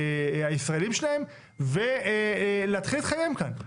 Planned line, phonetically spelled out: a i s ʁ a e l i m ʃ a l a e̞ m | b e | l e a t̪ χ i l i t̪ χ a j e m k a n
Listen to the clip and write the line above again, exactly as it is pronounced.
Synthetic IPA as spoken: a i s ʁ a e l i m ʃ e l a e̞ m | v e | l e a t̪ χ i l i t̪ χ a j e m k a n

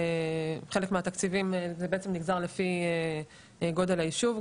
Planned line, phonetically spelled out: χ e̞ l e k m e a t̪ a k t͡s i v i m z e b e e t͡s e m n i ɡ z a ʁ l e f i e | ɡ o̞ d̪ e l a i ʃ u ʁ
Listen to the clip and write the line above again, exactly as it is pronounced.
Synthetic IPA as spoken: χ e̞ l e k m e a t̪ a k t͡s i v i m z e b e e t͡s e m n i ɡ z a ʁ l e f i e | ɡ o̞ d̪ e l a i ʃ u v

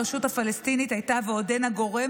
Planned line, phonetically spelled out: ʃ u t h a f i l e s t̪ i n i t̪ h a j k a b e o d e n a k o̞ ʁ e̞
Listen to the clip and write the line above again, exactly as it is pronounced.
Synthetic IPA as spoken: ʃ u t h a f a l e s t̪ i n i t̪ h a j t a v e o d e n a ɡ o̞ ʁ e̞

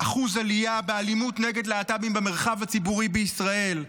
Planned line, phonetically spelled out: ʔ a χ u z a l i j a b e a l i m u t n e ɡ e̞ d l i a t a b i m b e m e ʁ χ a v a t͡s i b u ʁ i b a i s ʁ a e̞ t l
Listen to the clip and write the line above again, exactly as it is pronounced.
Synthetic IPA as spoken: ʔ a χ u z a l i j a b e a l i m u t n e ɡ e̞ d l e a t a b i m b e m e ʁ χ a v a t͡s i b u ʁ i b e i s ʁ a e̞ l

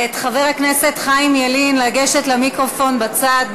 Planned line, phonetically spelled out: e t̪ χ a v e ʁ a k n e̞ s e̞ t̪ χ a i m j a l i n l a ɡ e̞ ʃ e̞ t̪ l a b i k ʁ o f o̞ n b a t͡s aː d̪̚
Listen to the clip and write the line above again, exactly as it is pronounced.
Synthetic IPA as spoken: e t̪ χ a v e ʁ a k n e̞ s e̞ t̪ χ a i m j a l i n l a ɡ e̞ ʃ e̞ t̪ l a m i k ʁ o f o̞ n b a t͡s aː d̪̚

